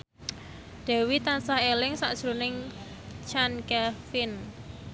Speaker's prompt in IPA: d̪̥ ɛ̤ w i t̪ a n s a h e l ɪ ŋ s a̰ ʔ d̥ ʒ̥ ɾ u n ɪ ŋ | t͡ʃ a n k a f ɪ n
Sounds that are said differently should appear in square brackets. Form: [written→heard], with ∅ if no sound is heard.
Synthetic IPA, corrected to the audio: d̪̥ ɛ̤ w i t̪ a n s a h e l ɪ ŋ s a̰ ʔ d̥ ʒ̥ ɾ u n ɪ ŋ | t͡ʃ a n k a f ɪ n